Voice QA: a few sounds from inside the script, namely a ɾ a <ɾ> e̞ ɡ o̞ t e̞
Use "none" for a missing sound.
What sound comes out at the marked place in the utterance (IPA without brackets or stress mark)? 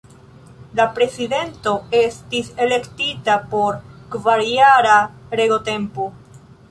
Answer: ɾ